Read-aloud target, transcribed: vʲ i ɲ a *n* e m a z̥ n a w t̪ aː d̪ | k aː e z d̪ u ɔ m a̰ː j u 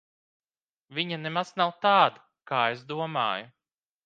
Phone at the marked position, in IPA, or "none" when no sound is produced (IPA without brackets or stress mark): n